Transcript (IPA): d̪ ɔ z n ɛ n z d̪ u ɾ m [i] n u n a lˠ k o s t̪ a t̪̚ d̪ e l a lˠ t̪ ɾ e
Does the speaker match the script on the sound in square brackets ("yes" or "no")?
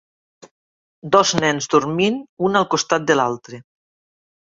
yes